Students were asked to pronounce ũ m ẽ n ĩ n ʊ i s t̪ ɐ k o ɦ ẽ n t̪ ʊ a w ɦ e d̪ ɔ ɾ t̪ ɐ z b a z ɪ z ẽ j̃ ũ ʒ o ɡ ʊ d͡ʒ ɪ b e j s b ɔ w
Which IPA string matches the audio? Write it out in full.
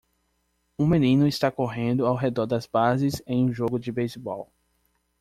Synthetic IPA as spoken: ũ m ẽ n ĩ n ʊ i s t̪ a k o ɦ ẽ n d̪ ʊ a w ɦ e d̪ ɔ ɾ d̪ ɐ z b a z ɪ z ẽ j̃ ũ ʒ o ɡ ʊ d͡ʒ ɪ b e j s b ɔ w